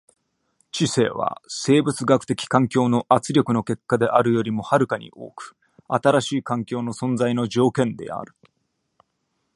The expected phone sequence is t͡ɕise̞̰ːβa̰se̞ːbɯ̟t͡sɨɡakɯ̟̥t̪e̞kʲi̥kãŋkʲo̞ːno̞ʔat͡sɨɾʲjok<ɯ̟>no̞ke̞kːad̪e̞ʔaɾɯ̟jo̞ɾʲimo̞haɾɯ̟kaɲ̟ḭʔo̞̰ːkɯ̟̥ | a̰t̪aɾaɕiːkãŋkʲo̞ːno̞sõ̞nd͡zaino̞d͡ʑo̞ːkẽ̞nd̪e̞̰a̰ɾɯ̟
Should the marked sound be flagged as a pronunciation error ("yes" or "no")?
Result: no